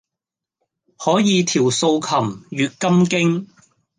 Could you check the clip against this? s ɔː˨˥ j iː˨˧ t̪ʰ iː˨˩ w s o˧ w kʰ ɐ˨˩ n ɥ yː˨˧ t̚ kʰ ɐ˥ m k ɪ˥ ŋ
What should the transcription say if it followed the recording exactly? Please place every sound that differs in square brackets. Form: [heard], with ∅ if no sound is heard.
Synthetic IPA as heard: [h] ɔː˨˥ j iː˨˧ t̪ʰ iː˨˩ w s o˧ w kʰ ɐ˨˩ [m] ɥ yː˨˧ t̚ [k] ɐ˥ m k ɪ˥ ŋ

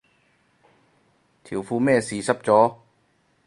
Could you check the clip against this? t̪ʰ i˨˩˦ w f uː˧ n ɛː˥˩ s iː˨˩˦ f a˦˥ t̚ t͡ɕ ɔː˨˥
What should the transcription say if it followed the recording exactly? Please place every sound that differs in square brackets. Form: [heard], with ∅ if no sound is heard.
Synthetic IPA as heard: t̪ʰ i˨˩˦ w f uː˧ [m] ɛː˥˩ s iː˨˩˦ [s] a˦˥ [p̚] t͡ɕ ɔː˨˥

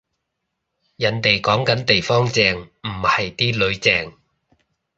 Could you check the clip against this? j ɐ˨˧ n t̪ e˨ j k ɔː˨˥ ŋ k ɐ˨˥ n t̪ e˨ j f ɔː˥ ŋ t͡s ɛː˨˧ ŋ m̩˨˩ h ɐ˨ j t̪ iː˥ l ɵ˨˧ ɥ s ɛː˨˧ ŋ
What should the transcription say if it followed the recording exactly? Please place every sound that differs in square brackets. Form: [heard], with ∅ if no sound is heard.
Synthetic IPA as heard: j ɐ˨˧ n t̪ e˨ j k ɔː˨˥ ŋ k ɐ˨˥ n t̪ e˨ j f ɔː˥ ŋ t͡s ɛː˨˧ ŋ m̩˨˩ h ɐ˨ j t̪ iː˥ l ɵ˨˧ ɥ [t͡s] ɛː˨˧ ŋ

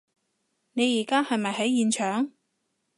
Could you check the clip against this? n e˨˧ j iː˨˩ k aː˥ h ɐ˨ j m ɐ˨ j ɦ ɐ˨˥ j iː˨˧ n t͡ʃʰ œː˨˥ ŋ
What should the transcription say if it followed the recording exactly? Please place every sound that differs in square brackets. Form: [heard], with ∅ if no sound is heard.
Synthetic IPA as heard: n e˨˧ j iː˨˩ k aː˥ h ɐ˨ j m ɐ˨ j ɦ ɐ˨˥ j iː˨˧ n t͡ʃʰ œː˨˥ ŋ

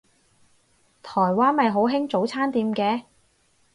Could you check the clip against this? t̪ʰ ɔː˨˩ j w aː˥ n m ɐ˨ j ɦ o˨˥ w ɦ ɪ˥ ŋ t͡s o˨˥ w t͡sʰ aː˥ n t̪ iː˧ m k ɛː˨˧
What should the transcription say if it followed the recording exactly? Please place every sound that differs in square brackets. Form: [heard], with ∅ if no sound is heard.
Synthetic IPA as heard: t̪ʰ ɔː˨˩ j w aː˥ n m ɐ˨ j ɦ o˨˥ w ɦ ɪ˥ ŋ t͡s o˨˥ w t͡sʰ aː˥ n t̪ iː˧ m k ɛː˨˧

